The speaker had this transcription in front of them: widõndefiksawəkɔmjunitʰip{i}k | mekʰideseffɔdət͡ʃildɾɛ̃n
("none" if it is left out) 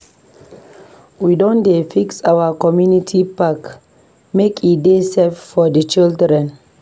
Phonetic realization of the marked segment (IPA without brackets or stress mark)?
a